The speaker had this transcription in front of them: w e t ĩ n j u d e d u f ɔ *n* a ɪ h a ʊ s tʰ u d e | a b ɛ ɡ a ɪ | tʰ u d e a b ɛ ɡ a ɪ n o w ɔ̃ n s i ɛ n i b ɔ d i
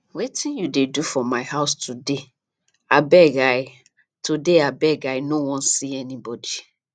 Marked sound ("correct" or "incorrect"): incorrect